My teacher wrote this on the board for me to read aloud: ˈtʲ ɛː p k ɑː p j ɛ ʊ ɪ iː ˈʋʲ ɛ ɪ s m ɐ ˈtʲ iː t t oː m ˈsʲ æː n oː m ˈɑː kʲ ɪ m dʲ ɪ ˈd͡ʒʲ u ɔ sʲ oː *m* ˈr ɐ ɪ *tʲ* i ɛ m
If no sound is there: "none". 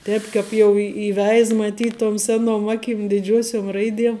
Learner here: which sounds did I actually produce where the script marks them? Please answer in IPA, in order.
m, dʲ

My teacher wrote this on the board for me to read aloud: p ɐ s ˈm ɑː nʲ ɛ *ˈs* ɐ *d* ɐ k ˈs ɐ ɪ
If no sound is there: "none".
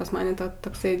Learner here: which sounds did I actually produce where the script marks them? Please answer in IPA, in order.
t, t

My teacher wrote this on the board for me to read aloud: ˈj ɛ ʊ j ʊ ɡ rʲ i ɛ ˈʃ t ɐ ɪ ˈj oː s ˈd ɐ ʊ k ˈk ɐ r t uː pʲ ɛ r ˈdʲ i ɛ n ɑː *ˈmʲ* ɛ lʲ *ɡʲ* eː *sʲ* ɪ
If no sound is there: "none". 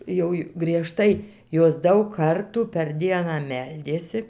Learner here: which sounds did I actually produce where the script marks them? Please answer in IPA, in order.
mʲ, dʲ, sʲ

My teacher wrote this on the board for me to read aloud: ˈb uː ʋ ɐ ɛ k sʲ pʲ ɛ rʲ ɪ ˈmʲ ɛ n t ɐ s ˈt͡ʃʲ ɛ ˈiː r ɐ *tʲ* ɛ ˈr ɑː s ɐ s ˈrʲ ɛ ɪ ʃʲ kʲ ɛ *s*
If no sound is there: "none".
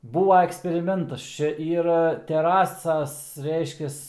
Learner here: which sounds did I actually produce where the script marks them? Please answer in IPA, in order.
tʲ, s

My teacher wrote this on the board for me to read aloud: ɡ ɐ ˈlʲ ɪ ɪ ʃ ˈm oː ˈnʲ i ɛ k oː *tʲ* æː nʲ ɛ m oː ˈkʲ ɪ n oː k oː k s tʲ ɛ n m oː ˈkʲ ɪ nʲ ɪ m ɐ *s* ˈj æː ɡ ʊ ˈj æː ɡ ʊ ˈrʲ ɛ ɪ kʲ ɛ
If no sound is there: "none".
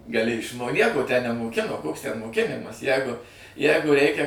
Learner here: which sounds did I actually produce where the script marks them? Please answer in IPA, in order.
tʲ, s

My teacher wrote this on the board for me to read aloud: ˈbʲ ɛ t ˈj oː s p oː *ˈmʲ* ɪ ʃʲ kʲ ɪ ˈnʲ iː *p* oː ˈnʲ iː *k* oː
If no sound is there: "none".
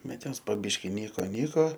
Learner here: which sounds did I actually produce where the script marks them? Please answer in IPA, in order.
bʲ, k, k

